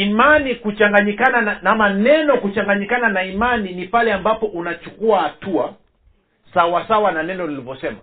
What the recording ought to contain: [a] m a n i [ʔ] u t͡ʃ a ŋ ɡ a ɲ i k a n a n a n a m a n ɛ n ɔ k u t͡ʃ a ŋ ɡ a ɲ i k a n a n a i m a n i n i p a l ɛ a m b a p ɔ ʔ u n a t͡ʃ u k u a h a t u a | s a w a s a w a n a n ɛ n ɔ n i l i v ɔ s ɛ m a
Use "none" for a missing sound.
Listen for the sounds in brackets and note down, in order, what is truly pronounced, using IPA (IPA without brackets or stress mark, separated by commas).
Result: i, k